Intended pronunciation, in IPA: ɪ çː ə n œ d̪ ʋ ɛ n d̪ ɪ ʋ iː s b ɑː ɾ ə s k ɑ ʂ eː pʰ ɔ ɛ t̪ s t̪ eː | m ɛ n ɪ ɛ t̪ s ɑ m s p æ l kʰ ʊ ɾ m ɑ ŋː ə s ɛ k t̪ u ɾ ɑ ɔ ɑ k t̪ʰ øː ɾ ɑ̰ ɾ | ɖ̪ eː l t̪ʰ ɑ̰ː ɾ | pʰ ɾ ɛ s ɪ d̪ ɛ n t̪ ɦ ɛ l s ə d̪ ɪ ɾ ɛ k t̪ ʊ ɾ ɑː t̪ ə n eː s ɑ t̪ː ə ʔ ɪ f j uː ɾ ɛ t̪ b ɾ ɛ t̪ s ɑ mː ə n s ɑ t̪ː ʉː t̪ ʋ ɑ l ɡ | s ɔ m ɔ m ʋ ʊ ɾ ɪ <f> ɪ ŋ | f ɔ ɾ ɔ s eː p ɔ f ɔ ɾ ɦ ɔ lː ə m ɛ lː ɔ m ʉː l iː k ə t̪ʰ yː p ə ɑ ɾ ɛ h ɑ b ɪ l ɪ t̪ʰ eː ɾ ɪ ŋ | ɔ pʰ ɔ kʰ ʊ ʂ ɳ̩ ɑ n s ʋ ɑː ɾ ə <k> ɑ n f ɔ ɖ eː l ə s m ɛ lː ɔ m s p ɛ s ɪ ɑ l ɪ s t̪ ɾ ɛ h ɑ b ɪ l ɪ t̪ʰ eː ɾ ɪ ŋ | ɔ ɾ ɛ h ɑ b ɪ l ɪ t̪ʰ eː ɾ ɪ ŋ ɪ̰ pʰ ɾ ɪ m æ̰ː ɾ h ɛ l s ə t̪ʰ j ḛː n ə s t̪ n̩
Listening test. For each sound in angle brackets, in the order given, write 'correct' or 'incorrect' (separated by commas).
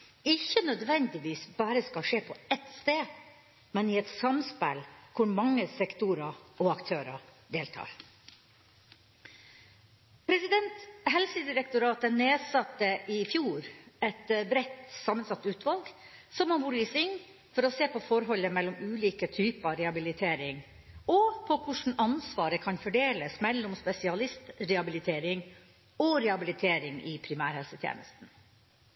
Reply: incorrect, incorrect